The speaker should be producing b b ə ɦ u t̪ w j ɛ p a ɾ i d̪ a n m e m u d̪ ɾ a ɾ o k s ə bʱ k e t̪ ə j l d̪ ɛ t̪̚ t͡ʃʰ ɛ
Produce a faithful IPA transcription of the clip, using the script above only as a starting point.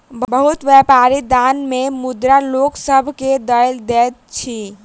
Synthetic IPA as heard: b b ə ɦ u t̪ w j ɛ p a ɾ i d̪ a n m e m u d̪ ɾ a l o k s ə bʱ k e d̪ ə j l d̪ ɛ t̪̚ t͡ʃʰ i

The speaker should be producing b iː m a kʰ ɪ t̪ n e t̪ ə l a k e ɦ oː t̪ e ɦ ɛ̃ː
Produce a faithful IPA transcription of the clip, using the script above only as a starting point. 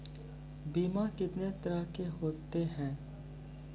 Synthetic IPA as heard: b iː m a k ɪ t̪ n e t̪ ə ɾ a k e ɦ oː t̪ e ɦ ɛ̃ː

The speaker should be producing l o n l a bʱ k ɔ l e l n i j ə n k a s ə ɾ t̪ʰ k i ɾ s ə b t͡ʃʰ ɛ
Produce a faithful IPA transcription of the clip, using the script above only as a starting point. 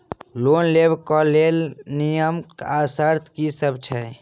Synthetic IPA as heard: l o n l e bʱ k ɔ l e l n i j ə m k a s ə ɾ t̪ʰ k i s ə b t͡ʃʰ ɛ

